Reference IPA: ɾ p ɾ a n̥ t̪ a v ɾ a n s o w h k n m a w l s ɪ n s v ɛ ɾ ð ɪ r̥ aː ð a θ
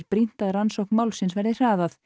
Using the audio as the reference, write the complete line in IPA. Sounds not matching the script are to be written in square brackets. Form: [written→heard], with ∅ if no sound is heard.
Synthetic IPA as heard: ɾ p ɾ [a→i] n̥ t̪ a [v→ð] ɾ a n s o w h k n m a w l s ɪ n s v ɛ ɾ ð ɪ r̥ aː ð a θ